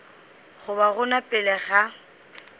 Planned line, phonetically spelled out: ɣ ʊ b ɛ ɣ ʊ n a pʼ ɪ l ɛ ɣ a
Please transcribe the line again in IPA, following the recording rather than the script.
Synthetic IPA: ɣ ʊ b a ɣ ʊ n a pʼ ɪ l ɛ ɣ a